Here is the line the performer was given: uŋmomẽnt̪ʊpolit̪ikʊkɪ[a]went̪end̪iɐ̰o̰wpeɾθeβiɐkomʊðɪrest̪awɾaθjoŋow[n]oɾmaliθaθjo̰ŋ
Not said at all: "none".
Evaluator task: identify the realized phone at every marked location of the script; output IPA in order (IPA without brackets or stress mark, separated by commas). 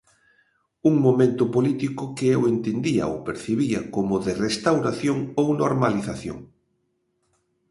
e, n